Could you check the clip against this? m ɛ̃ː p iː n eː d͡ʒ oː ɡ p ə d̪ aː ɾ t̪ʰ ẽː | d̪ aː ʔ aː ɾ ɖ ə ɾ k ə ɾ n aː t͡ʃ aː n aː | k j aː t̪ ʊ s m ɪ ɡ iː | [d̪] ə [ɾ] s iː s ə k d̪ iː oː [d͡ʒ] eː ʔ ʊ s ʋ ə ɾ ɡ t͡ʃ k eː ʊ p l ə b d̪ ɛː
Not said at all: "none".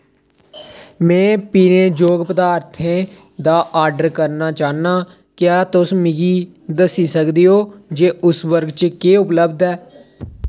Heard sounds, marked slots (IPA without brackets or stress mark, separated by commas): d̪, none, d͡ʒ